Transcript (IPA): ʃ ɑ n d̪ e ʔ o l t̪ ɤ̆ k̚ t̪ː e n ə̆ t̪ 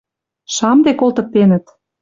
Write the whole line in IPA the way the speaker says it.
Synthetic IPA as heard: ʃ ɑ m d̪ e k o l t̪ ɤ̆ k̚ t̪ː e n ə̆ t̪